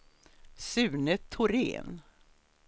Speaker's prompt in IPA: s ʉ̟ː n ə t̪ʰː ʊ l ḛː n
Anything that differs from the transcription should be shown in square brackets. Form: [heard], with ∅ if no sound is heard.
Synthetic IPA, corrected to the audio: s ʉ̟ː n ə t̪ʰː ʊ [ɾ] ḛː n